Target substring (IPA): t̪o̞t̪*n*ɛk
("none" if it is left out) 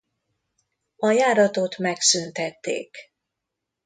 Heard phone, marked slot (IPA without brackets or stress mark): m